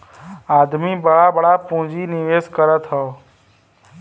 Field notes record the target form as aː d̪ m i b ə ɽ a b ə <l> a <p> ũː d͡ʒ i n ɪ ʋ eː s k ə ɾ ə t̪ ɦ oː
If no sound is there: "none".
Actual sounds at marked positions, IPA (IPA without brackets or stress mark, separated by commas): ɽ, p